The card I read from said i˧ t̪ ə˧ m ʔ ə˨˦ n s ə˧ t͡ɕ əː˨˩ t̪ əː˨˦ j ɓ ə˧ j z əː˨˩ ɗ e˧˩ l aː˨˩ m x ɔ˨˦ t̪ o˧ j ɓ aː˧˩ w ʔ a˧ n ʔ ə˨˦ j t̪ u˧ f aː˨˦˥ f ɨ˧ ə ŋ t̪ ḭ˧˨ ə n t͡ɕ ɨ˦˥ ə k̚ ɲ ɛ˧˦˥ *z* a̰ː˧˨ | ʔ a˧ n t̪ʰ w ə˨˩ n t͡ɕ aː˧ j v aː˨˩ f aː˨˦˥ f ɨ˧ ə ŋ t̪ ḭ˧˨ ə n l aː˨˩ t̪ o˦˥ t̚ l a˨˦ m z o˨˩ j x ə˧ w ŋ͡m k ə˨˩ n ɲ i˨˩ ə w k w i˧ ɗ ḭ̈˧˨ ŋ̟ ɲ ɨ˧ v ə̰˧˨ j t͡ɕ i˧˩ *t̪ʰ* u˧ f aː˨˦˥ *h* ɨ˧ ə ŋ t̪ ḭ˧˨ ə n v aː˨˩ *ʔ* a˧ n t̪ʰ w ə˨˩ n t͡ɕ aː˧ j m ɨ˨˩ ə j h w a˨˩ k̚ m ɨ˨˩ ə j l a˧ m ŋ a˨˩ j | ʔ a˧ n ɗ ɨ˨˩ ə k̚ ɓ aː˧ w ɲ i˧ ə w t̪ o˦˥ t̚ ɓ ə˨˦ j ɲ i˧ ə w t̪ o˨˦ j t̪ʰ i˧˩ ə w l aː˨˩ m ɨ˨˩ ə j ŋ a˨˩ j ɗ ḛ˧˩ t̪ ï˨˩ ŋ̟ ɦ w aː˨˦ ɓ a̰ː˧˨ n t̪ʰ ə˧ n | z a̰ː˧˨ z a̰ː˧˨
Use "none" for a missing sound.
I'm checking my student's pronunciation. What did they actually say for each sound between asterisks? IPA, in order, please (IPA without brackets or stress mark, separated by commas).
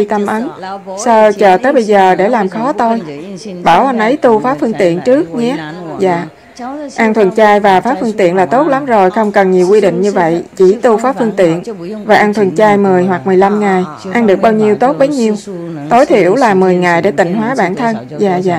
z, t̪, f, ʔ